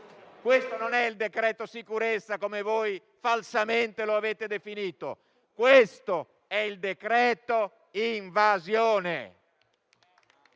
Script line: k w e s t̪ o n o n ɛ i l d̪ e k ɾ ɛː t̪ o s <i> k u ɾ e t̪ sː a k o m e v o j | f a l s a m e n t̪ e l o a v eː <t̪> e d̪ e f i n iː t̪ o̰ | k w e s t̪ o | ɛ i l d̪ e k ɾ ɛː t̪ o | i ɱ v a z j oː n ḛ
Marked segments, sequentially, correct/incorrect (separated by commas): correct, correct